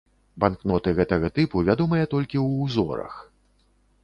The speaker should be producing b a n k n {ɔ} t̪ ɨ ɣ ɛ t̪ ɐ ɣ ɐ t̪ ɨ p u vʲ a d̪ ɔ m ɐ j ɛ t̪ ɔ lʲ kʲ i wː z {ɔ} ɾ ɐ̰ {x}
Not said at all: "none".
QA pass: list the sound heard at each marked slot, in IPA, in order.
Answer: ɔ, ɔ, x

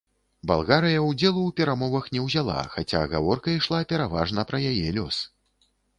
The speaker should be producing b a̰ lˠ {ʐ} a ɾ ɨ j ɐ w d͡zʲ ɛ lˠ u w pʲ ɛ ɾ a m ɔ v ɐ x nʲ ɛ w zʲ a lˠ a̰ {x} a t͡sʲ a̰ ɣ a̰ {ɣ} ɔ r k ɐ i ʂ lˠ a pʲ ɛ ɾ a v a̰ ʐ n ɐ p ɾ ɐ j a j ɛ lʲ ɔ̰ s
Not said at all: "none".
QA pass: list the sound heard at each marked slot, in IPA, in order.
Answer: ɣ, x, v

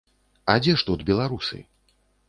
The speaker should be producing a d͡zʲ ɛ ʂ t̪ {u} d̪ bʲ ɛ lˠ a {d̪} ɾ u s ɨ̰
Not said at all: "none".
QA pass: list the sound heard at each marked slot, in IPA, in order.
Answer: u, none

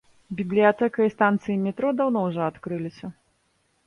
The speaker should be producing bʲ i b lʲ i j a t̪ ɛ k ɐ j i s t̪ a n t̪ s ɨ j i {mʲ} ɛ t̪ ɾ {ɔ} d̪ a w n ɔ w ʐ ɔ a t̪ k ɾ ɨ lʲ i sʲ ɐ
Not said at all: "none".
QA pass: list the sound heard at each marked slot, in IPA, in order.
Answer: mʲ, ɔ

